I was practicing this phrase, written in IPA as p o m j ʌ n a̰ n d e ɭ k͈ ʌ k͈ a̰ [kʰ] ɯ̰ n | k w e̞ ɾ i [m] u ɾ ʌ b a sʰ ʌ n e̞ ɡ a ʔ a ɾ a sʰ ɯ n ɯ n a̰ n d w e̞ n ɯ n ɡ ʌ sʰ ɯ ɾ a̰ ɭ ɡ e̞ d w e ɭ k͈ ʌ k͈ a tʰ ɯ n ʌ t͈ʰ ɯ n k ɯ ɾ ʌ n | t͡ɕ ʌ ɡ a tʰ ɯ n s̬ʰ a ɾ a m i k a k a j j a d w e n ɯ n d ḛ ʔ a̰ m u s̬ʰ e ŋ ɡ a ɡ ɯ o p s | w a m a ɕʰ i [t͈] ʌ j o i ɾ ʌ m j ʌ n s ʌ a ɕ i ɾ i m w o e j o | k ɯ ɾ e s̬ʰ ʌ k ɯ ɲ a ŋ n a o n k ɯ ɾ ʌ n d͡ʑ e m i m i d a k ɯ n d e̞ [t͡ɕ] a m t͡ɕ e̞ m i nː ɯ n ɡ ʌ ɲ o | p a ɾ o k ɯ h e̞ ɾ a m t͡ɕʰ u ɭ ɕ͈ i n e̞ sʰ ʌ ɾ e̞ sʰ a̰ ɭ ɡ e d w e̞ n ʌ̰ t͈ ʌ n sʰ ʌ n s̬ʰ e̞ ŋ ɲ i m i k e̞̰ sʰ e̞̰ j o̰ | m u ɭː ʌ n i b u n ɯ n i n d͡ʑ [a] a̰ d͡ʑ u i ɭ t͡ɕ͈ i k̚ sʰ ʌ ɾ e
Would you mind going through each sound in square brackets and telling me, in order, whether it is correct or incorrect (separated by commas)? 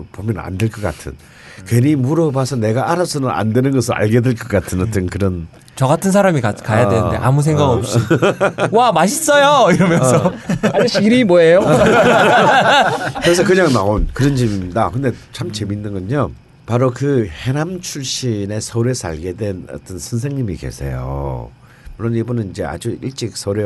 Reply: incorrect, correct, incorrect, incorrect, incorrect